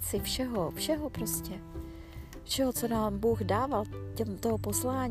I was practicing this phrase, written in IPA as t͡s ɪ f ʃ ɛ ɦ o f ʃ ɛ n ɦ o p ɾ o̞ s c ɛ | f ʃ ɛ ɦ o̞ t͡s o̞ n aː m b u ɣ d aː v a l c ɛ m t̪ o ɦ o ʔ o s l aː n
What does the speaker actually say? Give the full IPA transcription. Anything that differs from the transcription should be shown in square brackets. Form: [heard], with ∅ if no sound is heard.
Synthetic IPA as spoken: t͡s ɪ f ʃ ɛ ɦ o f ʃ ɛ [∅] ɦ o p ɾ o̞ s c ɛ | f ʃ ɛ ɦ o̞ t͡s o̞ n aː m b u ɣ d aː v a l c ɛ m t̪ o ɦ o [p] o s l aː [ɲ]